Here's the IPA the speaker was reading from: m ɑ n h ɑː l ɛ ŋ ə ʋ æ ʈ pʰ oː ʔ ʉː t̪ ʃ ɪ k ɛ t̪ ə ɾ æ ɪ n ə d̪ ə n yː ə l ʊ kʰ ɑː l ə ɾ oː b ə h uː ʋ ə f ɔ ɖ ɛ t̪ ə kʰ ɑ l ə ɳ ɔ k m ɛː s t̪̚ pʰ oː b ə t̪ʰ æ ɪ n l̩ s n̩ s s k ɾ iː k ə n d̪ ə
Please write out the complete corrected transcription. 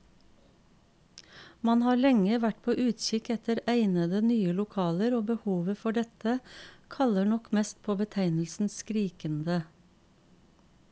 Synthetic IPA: m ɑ n h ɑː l ɛ ŋ ə ʋ æ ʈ pʰ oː ʔ ʉː t̪ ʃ ɪ k ɛ t̪ ə ɾ æ ɪ n ə d̪ ə n yː ə l ʊ kʰ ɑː l ə ɾ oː b ə h uː ʋ ə f ɔ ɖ ɛ t̪ ə kʰ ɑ l ə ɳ ɔ k m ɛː s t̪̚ pʰ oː b ə t̪ʰ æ ɪ n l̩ s n̩ s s k ɾ iː k ə n d̪ ə